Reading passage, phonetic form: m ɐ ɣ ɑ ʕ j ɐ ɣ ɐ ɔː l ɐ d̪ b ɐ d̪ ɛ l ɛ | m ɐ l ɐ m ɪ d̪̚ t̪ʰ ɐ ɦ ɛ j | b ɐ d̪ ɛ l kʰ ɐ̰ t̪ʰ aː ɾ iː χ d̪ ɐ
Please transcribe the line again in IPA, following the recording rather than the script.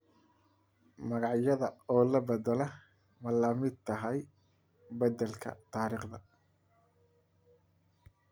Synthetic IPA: m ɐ ɣ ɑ ʕ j ɐ ð ɐ ɔː l ɐ b ɐ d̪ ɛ l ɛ | m ɐ l ɐ m ɪ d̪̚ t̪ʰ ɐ ɦ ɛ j | b ɐ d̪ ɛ l kʰ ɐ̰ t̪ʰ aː ɾ iː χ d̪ ɐ

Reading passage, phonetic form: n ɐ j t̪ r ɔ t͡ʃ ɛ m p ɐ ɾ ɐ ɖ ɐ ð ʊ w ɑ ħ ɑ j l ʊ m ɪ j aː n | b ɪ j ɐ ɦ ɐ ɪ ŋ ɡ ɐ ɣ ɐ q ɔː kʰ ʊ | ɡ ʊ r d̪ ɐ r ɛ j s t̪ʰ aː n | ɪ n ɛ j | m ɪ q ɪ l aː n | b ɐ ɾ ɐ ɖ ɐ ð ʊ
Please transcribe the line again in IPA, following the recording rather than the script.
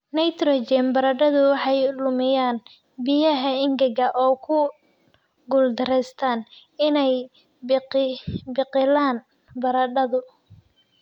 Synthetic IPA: n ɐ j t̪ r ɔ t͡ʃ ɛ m b ɐ ɾ ɐ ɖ ɐ ð ʊ w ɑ ħ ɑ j l ʊ m ɪ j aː n | b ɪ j ɐ ɦ ɐ ɪ ŋ ɡ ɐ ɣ ɐ ʔ ɔː kʰ ʊ | ɡ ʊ l d̪ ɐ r ɛ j s t̪ʰ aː n | ɪ n ɛ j | b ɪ q ɪ l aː n | b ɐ ɾ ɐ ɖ ɐ ð ʊ

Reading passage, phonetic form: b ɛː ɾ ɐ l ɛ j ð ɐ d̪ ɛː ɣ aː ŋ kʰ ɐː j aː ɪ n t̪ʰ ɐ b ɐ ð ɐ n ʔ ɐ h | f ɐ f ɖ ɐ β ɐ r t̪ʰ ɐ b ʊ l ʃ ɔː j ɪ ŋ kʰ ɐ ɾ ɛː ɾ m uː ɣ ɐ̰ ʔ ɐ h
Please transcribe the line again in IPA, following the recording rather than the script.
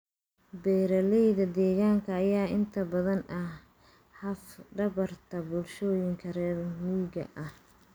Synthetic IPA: b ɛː ɾ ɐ l ɛ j ð ɐ d̪ ɛː ɣ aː ŋ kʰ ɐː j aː ɪ n t̪ʰ ɐ b ɐ ð ɐ n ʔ ɐ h | h ɐ f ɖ ɐ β ɐ r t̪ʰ ɐ b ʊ l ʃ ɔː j ɪ ŋ kʰ ɐ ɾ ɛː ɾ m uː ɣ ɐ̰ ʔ ɐ h

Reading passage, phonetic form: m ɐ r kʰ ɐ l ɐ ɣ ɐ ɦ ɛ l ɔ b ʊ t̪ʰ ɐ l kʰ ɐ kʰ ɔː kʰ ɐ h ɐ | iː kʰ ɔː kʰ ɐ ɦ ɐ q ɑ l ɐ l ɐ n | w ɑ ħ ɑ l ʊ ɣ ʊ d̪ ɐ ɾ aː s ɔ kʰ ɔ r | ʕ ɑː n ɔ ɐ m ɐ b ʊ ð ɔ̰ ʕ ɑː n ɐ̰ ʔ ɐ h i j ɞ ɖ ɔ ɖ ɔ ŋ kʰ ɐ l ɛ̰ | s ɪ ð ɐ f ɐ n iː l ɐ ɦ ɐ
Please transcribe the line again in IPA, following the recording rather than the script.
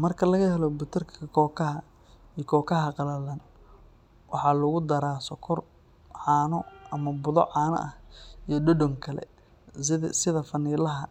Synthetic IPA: m ɐ r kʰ ɐ l ɐ ɣ ɐ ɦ ɛ l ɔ b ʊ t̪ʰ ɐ r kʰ ɐ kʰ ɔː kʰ ɐ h ɐ | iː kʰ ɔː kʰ ɐ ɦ ɐ q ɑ l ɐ l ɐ n | w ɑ ħ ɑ l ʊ ɣ ʊ d̪ ɐ ɾ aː s ɔ kʰ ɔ r | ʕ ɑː n ɔ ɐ m ɐ b ʊ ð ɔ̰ ʕ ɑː n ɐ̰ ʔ ɐ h i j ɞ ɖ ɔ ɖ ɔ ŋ kʰ ɐ l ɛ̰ | s ɪ ð ɐ f ɐ n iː l ɐ ɦ ɐ

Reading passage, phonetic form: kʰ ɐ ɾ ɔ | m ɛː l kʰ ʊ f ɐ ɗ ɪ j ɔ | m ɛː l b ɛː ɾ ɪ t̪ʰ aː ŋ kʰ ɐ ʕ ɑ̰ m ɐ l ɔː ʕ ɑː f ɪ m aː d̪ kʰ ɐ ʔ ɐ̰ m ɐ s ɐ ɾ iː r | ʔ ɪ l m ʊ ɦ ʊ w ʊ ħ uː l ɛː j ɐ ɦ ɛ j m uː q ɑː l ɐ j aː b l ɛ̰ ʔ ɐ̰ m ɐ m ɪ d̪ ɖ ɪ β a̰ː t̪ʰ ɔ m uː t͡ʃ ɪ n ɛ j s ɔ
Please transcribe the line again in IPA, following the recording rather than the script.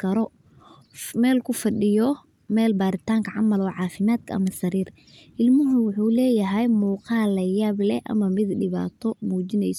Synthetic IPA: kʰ ɐ ɾ ɔ | m ɛː l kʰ ʊ f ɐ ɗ ɪ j ɔ | m ɛː l b aː ɾ ɪ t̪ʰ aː ŋ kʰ ɐ ʕ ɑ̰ m ɐ l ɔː ʕ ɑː f ɪ m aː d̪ kʰ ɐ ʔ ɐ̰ m ɐ s ɐ ɾ iː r | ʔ ɪ l m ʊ ɦ ʊ w ʊ ħ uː l ɛː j ɐ ɦ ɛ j m uː q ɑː l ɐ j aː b l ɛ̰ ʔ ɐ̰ m ɐ m ɪ d̪ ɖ ɪ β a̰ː t̪ʰ ɔ m uː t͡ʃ ɪ n ɛ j s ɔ

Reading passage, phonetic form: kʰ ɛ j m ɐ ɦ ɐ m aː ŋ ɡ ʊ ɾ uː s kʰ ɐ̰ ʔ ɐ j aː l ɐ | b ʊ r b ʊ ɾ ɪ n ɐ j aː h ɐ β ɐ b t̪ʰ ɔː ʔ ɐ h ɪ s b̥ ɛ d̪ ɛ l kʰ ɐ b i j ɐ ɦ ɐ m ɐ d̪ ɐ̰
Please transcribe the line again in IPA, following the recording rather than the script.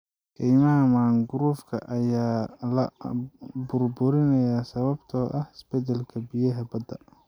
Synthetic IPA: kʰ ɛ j m ɐ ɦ ɐ m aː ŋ ɡ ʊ ɾ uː f kʰ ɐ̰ ʔ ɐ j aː l ɐ | b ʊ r b ʊ ɾ ɪ n ɐ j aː s ɐ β ɐ b t̪ʰ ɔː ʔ ɐ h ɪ s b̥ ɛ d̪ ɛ l kʰ ɐ b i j ɐ ɦ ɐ b ɐ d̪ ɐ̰

